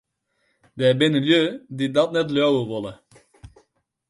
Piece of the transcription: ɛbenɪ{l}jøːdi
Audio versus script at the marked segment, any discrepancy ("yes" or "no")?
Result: no